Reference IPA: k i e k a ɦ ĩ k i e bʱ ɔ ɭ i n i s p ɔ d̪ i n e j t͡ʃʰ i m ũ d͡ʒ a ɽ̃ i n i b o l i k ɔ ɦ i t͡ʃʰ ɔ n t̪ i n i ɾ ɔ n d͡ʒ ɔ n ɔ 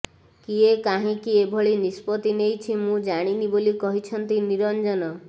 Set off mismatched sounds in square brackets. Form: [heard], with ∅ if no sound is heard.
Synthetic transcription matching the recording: k i e k a ɦ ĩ k i e bʱ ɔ ɭ i n i s p ɔ [t̪] i n e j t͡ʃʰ i m ũ d͡ʒ a ɽ̃ i n i b o l i k ɔ ɦ i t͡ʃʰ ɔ n t̪ i n i ɾ ɔ n d͡ʒ ɔ n ɔ